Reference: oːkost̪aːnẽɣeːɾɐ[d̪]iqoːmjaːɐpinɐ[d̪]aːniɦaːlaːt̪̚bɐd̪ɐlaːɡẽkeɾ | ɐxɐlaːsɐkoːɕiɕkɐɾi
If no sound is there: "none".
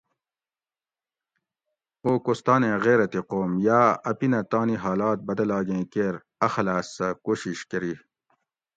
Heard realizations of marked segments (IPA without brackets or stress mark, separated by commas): t̪, t̪